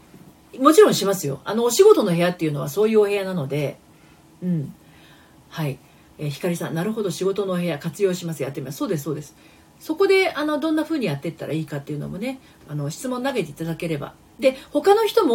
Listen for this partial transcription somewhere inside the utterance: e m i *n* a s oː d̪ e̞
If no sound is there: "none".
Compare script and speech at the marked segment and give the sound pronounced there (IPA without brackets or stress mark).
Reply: m